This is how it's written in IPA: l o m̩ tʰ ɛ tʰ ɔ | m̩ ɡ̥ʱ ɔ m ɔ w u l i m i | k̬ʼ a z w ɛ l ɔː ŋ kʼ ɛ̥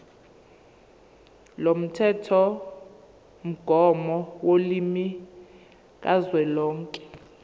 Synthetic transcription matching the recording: l o m̩ tʰ ɛ tʰ ɔ | m̩ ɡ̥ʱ ɔ m ɔ w o l i m i | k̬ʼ a z w ɛ l ɔː ŋ kʼ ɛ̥